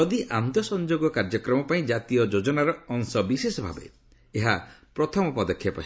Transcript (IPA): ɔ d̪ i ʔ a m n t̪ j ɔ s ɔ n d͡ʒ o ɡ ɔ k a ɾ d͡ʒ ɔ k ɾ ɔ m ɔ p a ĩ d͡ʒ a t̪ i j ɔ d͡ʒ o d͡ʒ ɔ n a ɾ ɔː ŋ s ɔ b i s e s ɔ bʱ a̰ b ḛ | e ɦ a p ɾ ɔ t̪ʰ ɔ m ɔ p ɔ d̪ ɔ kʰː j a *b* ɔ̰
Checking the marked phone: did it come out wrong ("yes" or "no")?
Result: yes